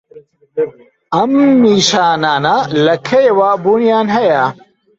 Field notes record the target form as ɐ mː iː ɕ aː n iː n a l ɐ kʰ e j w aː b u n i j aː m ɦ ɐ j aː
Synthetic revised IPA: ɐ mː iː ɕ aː n aː n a l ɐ kʰ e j w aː b u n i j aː n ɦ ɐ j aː